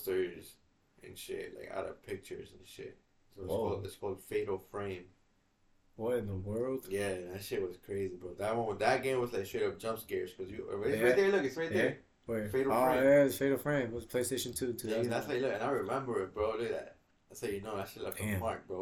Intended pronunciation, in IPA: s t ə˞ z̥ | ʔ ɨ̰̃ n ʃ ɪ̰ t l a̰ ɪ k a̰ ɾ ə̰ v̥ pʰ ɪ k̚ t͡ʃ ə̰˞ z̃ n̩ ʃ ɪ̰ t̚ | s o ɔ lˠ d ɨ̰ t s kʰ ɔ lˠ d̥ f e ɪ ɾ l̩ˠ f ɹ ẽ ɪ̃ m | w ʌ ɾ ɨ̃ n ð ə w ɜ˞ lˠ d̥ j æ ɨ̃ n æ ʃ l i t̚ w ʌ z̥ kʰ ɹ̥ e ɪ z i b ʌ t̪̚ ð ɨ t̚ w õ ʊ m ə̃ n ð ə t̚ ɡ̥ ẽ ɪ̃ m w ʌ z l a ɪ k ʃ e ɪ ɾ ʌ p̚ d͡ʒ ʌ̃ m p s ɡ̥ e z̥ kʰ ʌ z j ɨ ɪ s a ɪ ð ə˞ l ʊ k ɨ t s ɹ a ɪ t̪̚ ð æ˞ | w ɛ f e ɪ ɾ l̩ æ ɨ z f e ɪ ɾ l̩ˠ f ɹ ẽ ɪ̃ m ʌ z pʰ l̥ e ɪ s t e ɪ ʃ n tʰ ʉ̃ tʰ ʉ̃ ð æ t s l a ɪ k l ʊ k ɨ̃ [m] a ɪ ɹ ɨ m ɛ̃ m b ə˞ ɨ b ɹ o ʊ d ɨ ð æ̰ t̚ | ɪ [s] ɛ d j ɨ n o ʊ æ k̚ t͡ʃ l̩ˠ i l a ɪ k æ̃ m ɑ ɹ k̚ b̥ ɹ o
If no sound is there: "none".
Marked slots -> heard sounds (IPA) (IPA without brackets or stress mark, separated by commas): n, s